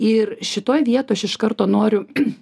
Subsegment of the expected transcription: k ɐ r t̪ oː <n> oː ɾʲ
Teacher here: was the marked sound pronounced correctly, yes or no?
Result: yes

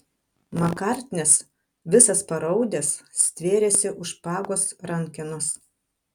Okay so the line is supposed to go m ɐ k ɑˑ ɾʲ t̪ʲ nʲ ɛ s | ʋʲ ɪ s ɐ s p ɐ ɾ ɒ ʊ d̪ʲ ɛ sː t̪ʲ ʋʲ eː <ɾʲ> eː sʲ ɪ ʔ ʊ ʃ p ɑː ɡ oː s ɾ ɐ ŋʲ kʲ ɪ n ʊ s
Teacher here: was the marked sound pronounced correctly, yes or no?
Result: yes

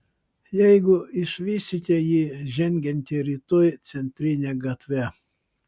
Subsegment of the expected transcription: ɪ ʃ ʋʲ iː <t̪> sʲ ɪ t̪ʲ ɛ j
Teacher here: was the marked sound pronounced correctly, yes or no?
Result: no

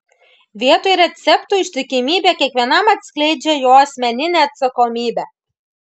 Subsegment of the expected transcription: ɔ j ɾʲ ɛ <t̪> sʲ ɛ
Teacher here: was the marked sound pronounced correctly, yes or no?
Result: yes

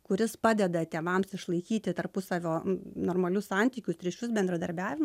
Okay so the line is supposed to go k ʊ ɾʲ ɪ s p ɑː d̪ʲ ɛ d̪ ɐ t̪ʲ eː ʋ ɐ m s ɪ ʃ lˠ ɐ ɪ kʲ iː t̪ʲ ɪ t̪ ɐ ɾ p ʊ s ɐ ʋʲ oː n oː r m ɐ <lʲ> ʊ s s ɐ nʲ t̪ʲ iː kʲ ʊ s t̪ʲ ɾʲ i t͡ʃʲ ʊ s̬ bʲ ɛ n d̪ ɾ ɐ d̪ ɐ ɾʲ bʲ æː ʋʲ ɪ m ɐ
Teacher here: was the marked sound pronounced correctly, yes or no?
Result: yes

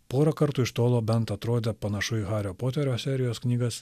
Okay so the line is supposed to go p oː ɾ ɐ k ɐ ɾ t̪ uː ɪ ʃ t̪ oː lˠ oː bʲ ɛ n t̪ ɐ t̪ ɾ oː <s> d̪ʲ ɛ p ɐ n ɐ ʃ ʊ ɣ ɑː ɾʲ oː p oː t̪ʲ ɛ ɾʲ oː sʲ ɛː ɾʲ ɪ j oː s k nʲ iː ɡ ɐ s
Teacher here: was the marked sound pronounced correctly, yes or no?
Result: no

